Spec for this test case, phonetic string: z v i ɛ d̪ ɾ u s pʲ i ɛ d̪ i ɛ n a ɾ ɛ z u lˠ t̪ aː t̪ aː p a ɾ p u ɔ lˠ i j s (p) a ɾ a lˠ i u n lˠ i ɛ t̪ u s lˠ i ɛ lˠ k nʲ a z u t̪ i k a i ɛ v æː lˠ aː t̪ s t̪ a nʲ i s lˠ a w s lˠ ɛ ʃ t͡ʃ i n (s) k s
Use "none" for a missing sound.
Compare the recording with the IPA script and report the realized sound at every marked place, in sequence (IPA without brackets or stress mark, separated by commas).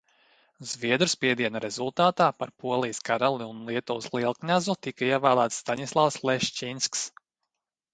k, s